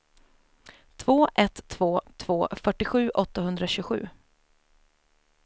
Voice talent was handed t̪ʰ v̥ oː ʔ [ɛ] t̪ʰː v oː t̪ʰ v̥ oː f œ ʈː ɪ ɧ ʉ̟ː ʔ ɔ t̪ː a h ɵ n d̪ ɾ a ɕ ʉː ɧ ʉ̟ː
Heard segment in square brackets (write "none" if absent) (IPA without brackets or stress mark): ɛ